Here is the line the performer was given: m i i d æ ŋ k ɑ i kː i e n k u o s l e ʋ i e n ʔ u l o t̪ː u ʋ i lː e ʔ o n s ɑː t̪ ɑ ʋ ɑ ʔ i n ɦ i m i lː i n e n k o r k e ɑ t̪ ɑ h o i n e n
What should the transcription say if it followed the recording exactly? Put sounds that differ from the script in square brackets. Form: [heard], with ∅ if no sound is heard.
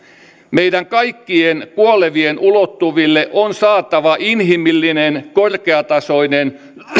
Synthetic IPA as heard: m [e] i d æ ŋ k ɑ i kː i e n k u o [∅] l e ʋ i e n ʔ u l o t̪ː u ʋ i lː e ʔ o n s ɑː t̪ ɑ ʋ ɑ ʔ i n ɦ i m i lː i n e n k o r k e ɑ t̪ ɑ [s] o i n e n